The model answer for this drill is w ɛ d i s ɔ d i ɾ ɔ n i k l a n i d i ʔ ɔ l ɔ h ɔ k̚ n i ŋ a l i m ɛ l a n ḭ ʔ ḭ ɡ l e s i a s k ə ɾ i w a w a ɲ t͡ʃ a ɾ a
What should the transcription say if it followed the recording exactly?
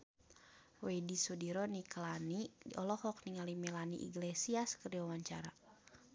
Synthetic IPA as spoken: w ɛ d i s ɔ d i ɾ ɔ n i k l a n i d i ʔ ɔ l ɔ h ɔ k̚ n i ŋ a l i m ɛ l a n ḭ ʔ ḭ ɡ l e s i a s k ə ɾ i w a w a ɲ t͡ʃ a ɾ a